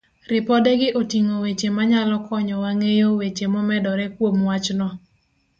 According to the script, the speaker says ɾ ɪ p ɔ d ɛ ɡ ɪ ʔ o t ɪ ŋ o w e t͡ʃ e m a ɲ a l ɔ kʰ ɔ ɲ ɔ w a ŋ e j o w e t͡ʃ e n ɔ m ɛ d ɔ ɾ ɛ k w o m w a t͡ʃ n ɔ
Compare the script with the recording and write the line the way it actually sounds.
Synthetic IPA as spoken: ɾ ɪ p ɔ d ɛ ɡ ɪ ʔ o t i ŋ o w e t͡ʃ e m a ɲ a l ɔ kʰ ɔ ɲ ɔ w a ŋ e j o w e t͡ʃ e m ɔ m ɛ d ɔ ɾ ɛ k w o m w a t͡ʃ n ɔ